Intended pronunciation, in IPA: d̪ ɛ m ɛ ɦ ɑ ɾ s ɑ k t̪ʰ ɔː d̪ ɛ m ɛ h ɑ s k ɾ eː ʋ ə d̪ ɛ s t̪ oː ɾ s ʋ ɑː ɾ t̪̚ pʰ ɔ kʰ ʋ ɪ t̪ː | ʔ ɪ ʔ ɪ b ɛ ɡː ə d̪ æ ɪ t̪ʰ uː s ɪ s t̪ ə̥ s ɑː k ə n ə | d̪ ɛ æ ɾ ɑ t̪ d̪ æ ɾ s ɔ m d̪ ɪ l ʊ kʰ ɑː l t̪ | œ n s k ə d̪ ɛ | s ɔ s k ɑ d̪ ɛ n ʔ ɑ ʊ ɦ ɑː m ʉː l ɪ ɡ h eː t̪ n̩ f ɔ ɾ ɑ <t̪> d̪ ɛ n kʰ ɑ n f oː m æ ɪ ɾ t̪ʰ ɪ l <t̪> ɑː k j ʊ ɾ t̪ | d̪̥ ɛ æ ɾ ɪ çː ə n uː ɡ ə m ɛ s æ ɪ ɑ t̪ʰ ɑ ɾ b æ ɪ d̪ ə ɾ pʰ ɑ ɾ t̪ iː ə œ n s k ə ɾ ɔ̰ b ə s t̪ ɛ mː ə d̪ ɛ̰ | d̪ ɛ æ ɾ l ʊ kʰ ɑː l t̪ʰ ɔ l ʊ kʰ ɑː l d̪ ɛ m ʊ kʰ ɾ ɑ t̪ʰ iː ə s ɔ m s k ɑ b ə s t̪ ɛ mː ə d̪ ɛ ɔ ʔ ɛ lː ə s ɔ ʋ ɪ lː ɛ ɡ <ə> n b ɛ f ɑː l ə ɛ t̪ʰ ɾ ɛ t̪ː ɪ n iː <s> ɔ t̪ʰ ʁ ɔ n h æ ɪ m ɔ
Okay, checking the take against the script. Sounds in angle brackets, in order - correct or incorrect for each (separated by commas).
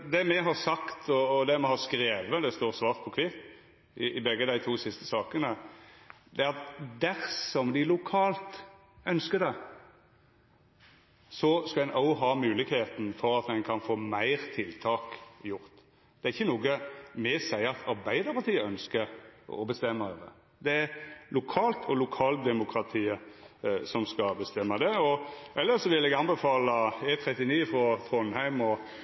correct, incorrect, incorrect, incorrect